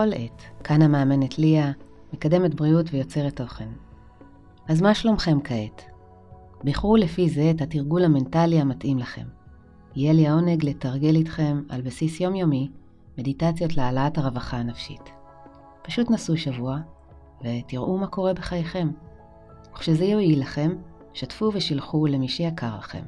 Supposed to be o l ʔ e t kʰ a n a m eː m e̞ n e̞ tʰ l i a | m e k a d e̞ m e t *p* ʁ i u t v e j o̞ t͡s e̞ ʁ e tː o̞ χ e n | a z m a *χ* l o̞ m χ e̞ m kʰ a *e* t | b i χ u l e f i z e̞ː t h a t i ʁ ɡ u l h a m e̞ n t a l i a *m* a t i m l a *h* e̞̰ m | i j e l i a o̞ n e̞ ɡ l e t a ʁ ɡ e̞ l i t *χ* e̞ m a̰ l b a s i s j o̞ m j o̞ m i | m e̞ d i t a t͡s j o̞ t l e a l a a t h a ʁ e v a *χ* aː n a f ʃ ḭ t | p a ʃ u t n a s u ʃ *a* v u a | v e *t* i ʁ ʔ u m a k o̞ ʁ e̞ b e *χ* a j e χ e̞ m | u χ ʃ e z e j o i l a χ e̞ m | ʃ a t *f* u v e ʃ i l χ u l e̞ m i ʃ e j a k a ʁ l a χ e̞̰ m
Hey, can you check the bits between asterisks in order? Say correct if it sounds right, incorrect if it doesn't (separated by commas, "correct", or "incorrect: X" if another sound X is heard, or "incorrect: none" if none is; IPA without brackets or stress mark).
incorrect: b, incorrect: ʃ, correct, correct, incorrect: χ, correct, correct, correct, correct, correct, correct